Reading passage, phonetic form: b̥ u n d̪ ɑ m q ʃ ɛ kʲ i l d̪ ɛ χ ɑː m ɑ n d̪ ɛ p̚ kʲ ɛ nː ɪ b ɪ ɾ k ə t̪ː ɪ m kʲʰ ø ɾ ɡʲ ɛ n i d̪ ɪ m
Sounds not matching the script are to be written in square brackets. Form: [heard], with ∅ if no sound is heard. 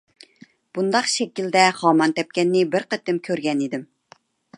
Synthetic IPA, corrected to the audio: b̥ u n d̪ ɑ [∅] q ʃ ɛ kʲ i l d̪ ɛ χ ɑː m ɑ n [t̪] ɛ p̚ kʲ ɛ nː ɪ b ɪ ɾ [q] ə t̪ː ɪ m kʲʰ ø ɾ ɡʲ ɛ n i d̪ ɪ m